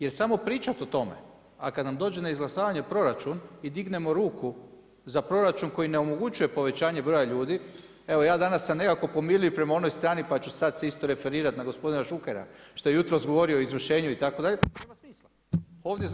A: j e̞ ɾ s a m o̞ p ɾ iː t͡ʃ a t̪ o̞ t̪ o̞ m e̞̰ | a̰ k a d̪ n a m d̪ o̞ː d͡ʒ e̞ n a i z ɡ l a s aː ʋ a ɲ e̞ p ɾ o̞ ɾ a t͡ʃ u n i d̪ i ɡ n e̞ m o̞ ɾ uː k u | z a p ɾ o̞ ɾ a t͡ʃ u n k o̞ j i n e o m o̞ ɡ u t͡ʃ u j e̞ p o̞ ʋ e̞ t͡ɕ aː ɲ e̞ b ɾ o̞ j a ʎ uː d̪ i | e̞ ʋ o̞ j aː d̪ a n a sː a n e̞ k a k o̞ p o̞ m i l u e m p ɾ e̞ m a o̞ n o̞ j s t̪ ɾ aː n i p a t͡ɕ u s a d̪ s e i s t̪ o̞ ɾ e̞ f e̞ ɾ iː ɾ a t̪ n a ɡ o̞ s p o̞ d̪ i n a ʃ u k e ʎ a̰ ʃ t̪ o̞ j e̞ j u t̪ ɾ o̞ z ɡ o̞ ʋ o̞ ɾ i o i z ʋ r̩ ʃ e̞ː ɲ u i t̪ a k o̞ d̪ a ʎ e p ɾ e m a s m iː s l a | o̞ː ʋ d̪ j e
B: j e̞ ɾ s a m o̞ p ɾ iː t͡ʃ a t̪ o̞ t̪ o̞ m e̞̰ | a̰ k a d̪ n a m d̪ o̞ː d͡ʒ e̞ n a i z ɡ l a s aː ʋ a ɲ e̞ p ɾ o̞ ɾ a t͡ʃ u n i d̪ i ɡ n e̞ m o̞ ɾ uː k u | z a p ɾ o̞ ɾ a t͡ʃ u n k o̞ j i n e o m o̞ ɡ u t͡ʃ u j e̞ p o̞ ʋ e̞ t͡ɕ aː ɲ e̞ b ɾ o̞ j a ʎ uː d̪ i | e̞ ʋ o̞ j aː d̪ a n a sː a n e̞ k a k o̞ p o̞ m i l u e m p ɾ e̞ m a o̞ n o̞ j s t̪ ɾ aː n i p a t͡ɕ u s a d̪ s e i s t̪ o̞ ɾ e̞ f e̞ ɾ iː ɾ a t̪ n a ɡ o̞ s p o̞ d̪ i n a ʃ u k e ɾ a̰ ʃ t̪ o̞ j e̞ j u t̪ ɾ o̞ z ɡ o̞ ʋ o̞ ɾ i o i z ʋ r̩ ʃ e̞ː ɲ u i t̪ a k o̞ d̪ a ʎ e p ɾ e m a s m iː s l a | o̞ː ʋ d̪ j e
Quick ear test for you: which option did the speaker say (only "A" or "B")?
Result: B